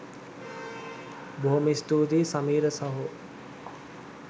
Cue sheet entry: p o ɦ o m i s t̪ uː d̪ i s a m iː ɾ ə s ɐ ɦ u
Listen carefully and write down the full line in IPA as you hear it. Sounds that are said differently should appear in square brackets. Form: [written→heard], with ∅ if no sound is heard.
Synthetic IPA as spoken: [p→b] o ɦ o m i s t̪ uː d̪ i s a m iː ɾ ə s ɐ ɦ u